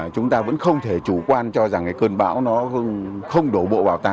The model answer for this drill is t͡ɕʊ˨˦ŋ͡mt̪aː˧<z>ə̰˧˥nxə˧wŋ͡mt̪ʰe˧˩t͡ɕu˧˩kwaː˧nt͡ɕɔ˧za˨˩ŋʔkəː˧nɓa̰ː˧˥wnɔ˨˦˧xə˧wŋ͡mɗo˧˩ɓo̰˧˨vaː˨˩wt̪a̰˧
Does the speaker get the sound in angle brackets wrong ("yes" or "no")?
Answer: yes